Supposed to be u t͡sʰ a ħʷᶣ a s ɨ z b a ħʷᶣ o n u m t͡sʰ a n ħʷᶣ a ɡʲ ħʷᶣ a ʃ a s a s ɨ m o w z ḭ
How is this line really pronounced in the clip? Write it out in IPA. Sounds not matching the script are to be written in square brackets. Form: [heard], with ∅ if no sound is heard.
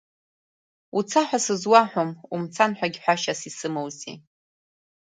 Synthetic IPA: u t͡sʰ a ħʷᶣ a s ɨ z [w] a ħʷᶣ o [m] u m t͡sʰ a n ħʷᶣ a ɡʲ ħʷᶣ a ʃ a s [i] s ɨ m o w z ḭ